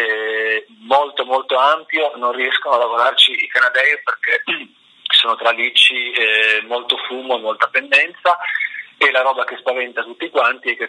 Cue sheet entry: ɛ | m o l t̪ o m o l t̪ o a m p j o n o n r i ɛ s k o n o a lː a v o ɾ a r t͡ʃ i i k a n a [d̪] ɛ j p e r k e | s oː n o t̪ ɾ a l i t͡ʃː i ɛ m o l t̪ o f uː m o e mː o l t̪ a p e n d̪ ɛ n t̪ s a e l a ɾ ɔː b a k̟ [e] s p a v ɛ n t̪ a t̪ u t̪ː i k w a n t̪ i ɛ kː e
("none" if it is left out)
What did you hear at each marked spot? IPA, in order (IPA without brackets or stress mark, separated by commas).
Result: d̪, e